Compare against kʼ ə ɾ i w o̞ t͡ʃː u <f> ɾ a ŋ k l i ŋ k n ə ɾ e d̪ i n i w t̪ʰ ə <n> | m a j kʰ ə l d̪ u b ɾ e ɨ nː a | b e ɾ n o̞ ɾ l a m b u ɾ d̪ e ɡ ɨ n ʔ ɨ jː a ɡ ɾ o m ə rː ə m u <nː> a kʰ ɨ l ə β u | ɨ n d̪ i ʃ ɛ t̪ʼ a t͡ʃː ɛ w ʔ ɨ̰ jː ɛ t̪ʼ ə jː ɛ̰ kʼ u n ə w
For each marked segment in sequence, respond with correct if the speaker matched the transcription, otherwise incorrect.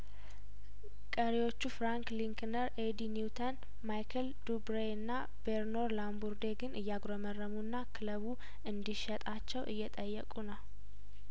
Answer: correct, correct, correct

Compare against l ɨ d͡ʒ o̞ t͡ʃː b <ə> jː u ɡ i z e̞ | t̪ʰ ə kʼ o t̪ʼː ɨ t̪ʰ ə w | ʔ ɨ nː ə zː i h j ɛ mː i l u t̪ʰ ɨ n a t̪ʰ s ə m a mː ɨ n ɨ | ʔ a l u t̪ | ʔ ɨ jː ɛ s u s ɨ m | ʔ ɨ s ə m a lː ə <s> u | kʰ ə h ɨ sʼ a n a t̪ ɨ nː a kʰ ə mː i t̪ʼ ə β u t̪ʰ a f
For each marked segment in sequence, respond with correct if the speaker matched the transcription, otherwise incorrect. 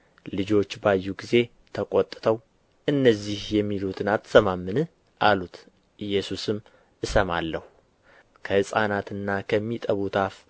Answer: incorrect, incorrect

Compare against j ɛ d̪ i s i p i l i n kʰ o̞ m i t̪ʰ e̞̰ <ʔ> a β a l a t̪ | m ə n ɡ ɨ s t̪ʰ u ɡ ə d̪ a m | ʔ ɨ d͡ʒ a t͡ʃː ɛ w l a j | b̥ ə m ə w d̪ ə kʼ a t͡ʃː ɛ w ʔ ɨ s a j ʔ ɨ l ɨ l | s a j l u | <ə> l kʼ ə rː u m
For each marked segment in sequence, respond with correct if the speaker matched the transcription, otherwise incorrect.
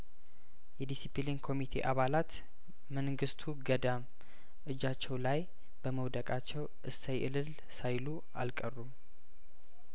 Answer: correct, incorrect

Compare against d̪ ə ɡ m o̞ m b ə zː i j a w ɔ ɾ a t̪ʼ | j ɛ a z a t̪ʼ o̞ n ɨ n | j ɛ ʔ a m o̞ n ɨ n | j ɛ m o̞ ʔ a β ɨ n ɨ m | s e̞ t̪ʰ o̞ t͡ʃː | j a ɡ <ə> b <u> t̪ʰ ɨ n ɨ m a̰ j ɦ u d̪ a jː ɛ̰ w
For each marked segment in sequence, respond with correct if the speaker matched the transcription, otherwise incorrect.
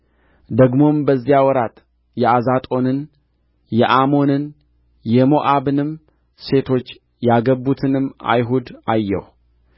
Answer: correct, correct

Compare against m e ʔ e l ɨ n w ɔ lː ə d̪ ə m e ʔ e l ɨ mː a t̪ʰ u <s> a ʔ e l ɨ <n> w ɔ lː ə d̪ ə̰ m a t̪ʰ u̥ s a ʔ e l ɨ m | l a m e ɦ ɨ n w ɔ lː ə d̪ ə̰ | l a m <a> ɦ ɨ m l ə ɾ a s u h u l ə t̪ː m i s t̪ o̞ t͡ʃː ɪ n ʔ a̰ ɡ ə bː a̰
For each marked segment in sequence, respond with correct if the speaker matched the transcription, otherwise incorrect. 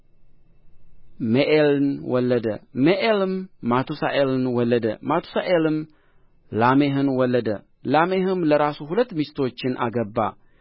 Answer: correct, correct, incorrect

